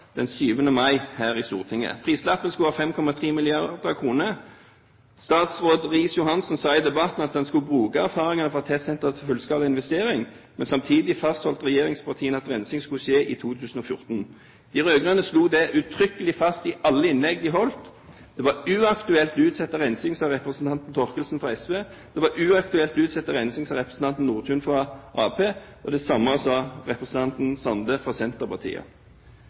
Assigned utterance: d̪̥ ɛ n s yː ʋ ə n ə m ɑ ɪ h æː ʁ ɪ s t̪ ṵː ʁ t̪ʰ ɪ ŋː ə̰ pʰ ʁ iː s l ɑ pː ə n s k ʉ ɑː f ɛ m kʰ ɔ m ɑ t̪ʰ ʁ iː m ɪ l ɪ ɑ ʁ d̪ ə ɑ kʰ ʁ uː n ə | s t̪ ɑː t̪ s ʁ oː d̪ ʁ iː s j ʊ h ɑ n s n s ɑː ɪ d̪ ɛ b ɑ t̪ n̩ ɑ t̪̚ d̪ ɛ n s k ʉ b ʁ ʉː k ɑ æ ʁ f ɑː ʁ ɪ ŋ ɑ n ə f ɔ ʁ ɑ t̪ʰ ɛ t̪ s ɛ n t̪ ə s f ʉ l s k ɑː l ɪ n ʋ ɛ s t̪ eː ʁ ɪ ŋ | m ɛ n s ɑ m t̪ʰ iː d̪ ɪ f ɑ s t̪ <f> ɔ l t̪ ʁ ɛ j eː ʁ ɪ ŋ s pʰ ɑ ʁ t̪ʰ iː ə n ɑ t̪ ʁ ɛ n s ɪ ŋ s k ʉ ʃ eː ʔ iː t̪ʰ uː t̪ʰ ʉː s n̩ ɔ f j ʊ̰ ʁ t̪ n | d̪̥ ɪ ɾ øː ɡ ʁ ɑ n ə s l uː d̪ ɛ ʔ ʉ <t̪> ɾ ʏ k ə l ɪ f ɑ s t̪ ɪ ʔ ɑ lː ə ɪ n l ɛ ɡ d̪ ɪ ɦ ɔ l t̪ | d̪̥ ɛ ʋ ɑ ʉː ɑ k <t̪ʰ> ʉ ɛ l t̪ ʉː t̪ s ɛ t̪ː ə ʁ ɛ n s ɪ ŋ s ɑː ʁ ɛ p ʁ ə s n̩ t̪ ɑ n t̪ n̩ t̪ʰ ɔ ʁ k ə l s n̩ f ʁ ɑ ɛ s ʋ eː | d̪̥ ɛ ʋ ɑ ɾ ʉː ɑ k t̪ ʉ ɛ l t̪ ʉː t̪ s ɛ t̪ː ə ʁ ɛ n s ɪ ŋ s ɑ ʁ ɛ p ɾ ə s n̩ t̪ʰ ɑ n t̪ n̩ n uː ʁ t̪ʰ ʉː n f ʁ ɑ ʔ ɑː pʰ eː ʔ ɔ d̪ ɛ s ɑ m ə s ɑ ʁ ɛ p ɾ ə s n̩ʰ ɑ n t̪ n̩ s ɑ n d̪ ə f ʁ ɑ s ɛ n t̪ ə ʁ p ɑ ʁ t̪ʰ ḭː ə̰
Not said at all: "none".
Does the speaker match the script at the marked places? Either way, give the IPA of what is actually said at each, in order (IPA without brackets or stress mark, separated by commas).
h, t̪ʰ, t̪